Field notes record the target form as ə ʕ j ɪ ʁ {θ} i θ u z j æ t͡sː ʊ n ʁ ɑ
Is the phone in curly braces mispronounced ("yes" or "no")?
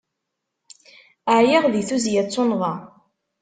yes